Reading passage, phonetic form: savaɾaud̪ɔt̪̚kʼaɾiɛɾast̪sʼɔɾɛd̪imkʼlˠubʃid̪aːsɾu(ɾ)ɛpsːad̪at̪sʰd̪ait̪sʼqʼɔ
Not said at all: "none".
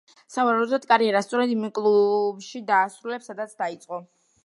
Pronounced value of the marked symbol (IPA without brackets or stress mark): l